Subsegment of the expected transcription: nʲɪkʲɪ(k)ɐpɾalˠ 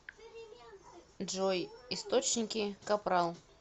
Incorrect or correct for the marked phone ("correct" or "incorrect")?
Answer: correct